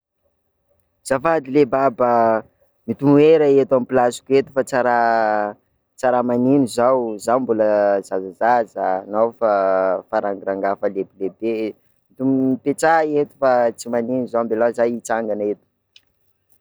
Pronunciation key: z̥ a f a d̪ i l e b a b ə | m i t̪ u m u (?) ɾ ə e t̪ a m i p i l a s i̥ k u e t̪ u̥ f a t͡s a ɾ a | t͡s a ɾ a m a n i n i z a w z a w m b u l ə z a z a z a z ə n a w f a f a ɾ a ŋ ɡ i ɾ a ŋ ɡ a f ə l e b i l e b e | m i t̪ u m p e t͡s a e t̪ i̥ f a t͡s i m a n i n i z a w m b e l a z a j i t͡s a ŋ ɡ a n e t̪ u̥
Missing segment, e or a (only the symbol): e